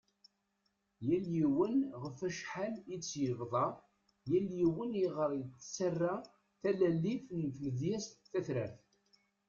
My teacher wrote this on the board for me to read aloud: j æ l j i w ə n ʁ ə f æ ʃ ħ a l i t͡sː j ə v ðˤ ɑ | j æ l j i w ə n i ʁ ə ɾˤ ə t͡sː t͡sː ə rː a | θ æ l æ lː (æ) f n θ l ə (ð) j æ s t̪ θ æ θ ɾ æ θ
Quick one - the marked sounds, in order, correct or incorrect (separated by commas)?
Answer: incorrect, correct